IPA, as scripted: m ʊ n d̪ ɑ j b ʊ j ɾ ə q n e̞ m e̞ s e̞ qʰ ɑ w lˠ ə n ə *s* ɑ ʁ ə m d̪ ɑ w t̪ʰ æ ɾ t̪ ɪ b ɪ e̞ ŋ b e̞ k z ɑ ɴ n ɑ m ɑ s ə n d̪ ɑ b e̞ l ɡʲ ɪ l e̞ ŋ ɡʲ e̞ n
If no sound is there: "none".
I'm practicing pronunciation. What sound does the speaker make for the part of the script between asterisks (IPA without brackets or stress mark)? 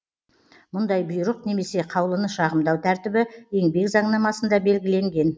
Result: ʃ